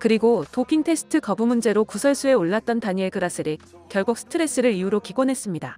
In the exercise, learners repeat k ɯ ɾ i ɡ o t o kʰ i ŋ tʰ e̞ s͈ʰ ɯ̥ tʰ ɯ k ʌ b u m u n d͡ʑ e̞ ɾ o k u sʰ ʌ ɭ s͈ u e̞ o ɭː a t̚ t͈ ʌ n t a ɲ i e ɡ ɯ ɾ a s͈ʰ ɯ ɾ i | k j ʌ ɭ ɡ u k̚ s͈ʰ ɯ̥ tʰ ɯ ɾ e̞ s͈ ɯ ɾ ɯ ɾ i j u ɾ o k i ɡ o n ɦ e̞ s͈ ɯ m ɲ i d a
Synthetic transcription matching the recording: k ɯ ɾ i ɡ o t o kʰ i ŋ tʰ e̞ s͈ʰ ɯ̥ tʰ ɯ k ʌ b u m u n d͡ʑ e̞ ɾ o k u sʰ ʌ ɭ s͈ u e̞ o ɭː a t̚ t͈ ʌ n t a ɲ i e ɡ ɯ ɾ a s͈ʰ ɯ ɾ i | k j ʌ ɭ ɡ u k̚ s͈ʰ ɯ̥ tʰ ɯ ɾ e̞ s͈ ɯ ɾ ɯ ɾ i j u ɾ o k i ɡ o n ɦ e̞ s͈ ɯ m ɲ i d a